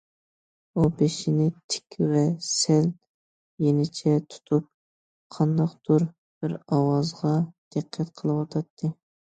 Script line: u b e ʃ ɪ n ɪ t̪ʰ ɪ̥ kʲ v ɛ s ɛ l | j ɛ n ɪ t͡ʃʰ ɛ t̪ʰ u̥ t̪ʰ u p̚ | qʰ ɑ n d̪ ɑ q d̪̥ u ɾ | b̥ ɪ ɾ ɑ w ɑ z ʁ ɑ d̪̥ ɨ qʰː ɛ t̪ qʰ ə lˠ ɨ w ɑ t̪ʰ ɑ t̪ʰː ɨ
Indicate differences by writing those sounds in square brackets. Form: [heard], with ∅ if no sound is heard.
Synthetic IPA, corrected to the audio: u b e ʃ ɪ n ɪ t̪ʰ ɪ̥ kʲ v ɛ s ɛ l | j [e] n ɪ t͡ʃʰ ɛ t̪ʰ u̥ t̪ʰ u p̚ | qʰ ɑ n d̪ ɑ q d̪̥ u ɾ | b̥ ɪ ɾ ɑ w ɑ z ʁ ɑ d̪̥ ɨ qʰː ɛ t̪ qʰ ə lˠ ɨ w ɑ t̪ʰ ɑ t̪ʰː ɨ

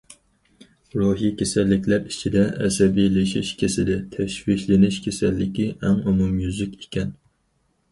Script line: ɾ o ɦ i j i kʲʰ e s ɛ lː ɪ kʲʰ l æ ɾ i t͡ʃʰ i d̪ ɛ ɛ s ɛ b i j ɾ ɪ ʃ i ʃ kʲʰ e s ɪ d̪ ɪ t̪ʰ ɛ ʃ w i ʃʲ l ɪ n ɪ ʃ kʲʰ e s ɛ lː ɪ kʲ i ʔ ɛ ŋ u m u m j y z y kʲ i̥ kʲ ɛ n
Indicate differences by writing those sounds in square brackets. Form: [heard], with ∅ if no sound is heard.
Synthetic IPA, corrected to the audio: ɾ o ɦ i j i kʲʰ e s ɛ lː ɪ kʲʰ l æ ɾ i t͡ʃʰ i d̪ ɛ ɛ s ɛ b i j [l] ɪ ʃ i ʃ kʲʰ e s ɪ d̪ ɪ t̪ʰ ɛ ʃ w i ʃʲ l ɪ n ɪ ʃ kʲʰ e s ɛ lː ɪ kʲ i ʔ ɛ ŋ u m u m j y z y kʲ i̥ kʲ ɛ n

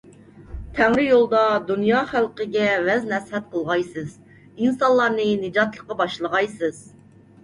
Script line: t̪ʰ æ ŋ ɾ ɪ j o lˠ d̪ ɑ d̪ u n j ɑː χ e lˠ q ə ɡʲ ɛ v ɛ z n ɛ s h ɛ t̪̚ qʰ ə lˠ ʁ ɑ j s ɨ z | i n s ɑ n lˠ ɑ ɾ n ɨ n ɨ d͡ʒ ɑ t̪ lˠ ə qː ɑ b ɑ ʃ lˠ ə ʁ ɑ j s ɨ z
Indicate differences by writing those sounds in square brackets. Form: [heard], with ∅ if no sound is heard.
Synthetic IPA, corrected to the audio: t̪ʰ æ ŋ ɾ ɪ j o lˠ d̪ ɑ d̪ u n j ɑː χ [æ] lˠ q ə ɡʲ ɛ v ɛ z n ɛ s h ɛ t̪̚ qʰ ə lˠ ʁ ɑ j s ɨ z | i n s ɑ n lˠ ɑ ɾ n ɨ n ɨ d͡ʒ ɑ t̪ lˠ ə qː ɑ b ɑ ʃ lˠ ə ʁ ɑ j s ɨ z

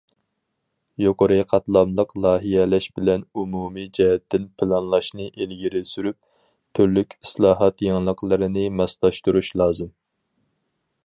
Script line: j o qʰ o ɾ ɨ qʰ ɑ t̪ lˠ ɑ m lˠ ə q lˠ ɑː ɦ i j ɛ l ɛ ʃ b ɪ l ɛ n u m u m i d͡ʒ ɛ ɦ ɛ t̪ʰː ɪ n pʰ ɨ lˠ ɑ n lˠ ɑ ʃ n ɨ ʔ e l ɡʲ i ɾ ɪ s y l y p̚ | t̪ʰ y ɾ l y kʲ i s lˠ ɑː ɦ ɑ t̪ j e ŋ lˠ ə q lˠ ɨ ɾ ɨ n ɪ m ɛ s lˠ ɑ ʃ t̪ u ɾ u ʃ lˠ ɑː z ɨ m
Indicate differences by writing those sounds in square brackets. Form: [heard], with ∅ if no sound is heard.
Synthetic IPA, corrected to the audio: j o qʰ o ɾ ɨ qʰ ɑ t̪ lˠ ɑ m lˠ ə q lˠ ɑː ɦ i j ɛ l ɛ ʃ b ɪ l ɛ n u m u m i d͡ʒ ɛ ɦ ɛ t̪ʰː ɪ n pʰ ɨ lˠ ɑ n lˠ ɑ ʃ n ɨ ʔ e l ɡʲ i ɾ ɪ s y [ɾ] y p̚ | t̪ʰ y ɾ l y kʲ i s lˠ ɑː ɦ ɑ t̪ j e ŋ lˠ ə q lˠ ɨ ɾ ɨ n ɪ m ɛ s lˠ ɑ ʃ t̪ u ɾ u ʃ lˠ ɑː z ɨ m

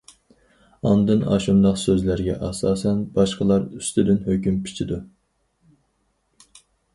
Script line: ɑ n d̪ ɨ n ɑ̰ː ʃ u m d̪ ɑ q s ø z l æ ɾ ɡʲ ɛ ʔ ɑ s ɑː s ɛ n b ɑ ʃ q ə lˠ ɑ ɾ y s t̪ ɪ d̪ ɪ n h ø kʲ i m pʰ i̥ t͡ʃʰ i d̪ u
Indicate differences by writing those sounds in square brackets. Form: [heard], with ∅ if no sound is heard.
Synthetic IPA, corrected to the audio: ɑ n d̪ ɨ n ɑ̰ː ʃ u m d̪ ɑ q s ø z l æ ɾ ɡʲ ɛ ʔ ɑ s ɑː s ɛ n b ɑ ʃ q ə lˠ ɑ ɾ y s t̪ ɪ d̪ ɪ n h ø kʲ [y] m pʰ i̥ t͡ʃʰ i d̪ u

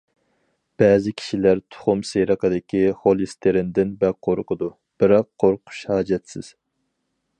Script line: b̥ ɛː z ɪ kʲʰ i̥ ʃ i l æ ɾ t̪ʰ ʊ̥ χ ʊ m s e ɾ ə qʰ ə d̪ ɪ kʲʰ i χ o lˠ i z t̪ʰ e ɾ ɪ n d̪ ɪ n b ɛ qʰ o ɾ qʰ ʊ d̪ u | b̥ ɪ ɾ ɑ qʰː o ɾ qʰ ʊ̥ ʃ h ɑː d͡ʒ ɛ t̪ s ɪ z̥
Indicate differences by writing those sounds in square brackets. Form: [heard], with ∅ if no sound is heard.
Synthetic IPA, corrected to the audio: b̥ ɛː z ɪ kʲʰ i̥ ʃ i l æ ɾ t̪ʰ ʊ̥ χ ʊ m s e ɾ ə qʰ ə d̪ ɪ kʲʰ i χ o lˠ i [s] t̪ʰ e ɾ ɪ n d̪ ɪ n b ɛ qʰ o ɾ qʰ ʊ d̪ u | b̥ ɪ ɾ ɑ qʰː o ɾ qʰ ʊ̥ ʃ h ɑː d͡ʒ ɛ t̪ s ɪ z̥

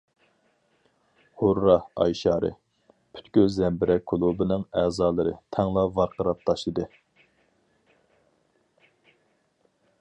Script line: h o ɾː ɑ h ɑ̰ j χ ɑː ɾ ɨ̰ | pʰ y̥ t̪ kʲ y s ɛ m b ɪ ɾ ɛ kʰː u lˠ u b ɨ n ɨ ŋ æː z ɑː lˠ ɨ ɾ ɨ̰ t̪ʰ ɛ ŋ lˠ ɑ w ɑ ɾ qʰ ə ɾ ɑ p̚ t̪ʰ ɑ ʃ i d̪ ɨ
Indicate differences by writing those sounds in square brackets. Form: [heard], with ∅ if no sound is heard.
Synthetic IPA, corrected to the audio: h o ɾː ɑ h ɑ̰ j [ʃ] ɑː ɾ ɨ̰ | pʰ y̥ t̪ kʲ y [z] ɛ m b ɪ ɾ ɛ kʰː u lˠ u b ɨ n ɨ ŋ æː z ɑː lˠ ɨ ɾ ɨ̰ t̪ʰ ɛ ŋ lˠ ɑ [v] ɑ ɾ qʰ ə ɾ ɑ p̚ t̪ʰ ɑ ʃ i d̪ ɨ

